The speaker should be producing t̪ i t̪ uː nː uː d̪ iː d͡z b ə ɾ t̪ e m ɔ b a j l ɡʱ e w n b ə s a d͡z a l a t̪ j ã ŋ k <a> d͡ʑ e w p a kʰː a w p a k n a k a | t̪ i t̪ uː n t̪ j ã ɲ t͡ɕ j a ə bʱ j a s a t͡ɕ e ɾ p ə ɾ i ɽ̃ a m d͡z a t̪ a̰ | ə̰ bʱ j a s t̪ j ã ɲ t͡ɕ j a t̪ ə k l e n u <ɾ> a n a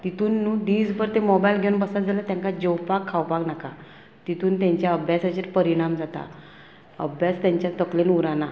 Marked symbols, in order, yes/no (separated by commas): yes, yes